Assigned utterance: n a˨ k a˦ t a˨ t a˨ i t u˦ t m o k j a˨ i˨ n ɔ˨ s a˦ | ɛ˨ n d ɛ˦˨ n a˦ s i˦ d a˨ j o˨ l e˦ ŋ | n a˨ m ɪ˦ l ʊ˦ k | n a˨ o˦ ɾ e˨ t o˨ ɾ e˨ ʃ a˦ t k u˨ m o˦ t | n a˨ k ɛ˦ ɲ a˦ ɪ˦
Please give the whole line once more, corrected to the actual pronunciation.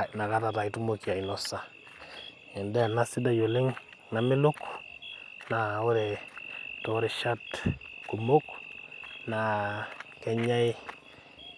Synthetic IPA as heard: n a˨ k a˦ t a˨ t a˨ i t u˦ m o k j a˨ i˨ n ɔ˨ s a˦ | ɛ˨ n d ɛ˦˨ n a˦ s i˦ d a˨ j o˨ l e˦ ŋ | n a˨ m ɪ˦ l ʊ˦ k | n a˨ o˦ ɾ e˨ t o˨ ɾ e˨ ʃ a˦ t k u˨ m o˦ k | n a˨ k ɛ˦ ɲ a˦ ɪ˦